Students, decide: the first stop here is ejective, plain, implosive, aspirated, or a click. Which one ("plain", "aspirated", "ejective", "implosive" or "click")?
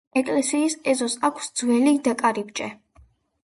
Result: ejective